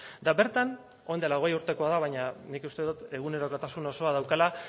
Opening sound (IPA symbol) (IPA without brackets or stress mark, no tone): d̪